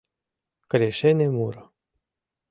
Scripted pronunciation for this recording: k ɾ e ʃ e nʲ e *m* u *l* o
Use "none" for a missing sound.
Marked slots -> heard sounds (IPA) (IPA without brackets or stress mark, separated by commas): m, ɾ